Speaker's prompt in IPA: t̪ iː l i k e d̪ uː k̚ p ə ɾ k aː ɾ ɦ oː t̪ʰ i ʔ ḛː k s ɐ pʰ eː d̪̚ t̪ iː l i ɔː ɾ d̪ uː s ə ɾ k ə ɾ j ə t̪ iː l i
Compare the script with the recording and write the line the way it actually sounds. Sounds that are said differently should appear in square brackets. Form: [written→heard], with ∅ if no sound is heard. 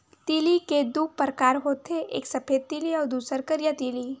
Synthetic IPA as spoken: t̪ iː l i k e d̪ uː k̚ p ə ɾ k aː ɾ ɦ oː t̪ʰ [i→e] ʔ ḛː k s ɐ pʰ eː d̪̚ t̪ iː l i ɔː ɾ d̪ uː s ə ɾ k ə ɾ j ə t̪ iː l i